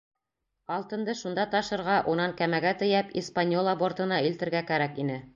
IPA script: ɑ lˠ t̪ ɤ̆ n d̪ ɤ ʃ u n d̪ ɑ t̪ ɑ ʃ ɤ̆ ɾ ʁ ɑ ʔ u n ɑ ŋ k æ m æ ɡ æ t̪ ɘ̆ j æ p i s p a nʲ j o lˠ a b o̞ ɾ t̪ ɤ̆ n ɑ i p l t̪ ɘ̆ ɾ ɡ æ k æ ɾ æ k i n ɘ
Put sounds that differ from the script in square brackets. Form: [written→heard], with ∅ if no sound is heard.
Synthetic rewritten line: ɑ lˠ t̪ ɤ̆ n d̪ ɤ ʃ u n d̪ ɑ t̪ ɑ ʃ ɤ̆ ɾ ʁ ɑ ʔ u n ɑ ŋ k æ m æ ɡ æ t̪ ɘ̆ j æ p i s p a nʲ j o lˠ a b o̞ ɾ t̪ ɤ̆ n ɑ i [p→∅] l t̪ ɘ̆ ɾ ɡ æ k æ ɾ æ k i n ɘ

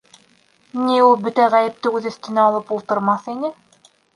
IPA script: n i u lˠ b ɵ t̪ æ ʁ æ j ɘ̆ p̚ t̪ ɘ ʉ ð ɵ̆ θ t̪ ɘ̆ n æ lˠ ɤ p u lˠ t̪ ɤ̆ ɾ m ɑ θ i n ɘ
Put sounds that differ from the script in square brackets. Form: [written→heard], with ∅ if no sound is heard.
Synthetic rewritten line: n i u lˠ b ɵ t̪ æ ʁ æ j ɘ̆ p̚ t̪ ɘ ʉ ð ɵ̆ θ t̪ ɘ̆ n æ lˠ ɤ p u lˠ t̪ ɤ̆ ɾ m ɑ θ i n ɘ

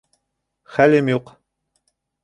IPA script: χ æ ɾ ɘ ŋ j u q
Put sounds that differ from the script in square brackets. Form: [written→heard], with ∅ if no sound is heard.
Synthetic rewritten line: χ æ [ɾ→l] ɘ [ŋ→m] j u q

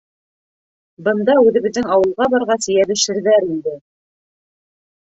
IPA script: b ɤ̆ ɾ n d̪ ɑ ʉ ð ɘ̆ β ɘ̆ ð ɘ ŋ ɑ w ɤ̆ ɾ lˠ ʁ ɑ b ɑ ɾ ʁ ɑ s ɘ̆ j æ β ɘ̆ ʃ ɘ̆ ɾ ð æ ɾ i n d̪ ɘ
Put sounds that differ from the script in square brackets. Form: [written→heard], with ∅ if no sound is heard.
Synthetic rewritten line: b ɤ̆ [ɾ→∅] n d̪ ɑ ʉ ð ɘ̆ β ɘ̆ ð ɘ ŋ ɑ w ɤ̆ [ɾ→∅] lˠ ʁ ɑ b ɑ ɾ ʁ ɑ s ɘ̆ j æ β ɘ̆ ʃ ɘ̆ ɾ ð æ ɾ i n d̪ ɘ

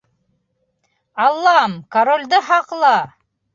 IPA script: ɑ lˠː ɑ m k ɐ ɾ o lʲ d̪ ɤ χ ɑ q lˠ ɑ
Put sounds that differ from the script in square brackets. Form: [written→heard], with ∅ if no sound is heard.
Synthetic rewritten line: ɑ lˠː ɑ m k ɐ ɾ o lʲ d̪ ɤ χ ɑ q lˠ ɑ

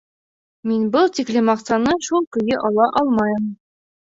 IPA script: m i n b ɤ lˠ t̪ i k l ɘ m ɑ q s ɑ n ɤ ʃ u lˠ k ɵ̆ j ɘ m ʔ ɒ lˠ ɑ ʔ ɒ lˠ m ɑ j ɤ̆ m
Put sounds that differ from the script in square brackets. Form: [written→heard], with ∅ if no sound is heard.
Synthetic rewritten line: m i n b ɤ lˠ t̪ i k l ɘ m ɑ q s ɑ n ɤ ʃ u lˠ k ɵ̆ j ɘ [m→∅] ʔ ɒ lˠ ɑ ʔ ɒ lˠ m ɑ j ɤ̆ m

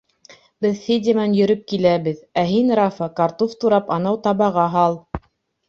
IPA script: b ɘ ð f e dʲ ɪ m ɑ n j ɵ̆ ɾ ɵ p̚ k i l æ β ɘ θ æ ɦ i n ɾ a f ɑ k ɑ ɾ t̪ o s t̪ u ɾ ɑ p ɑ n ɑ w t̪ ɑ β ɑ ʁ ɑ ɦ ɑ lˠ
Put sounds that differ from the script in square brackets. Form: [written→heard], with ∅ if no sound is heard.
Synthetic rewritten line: b ɘ ð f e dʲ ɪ m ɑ n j ɵ̆ ɾ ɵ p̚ k i l æ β ɘ [θ→ð] æ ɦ i n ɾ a f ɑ k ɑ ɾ t̪ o [s→f] t̪ u ɾ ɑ p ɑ n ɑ w t̪ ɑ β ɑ ʁ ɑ ɦ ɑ lˠ

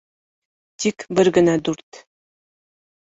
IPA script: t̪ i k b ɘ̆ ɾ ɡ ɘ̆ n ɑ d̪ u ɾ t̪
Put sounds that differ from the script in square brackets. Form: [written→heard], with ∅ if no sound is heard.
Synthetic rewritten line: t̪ i k b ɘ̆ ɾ ɡ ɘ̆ n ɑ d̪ u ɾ t̪

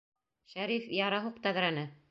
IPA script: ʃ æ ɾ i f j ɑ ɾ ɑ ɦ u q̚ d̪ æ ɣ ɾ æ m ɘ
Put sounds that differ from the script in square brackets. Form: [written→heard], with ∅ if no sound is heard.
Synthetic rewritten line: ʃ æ ɾ i f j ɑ ɾ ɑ ɦ u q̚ [d̪→t̪] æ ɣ ɾ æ [m→n] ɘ

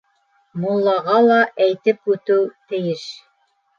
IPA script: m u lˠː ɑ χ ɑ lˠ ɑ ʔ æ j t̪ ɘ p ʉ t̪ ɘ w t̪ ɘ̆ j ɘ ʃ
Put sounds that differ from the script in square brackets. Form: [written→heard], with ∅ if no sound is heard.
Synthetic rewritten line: m u lˠː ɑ [χ→ʁ] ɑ lˠ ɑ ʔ æ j t̪ ɘ p ʉ t̪ ɘ w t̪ ɘ̆ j ɘ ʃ

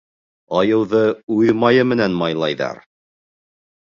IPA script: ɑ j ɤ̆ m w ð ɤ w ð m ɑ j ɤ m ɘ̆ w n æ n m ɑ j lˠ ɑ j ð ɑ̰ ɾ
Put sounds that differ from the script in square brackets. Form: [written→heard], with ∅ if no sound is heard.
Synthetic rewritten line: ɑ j ɤ̆ [m→∅] w ð ɤ [w→u] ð m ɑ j ɤ m ɘ̆ [w→∅] n æ n m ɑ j lˠ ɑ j ð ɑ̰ ɾ

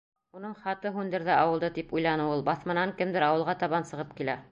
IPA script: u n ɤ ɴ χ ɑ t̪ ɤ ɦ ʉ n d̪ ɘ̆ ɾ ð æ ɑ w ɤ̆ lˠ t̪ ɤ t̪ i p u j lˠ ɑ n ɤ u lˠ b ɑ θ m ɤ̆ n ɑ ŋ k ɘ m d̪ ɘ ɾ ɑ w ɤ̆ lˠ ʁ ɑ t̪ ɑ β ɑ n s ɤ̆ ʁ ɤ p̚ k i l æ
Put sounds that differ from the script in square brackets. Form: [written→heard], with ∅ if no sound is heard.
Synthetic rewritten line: u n ɤ ɴ χ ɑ t̪ ɤ ɦ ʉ n d̪ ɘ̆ ɾ ð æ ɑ w ɤ̆ lˠ [t̪→d̪] ɤ t̪ i p u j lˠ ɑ n ɤ u lˠ b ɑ θ m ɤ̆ n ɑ ŋ k ɘ m d̪ ɘ ɾ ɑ w ɤ̆ lˠ ʁ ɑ t̪ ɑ β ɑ n s ɤ̆ ʁ ɤ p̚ k i l æ

